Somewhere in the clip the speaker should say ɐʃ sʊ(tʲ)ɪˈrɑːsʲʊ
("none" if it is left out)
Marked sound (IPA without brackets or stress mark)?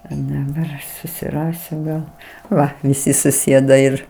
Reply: sʲ